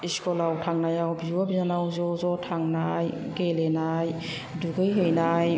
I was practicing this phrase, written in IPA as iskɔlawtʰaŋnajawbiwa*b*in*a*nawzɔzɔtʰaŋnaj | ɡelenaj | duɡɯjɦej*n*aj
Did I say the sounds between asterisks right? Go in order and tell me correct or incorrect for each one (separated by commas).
correct, correct, correct